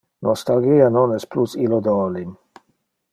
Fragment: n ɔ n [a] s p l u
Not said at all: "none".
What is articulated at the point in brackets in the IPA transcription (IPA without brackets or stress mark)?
ɛ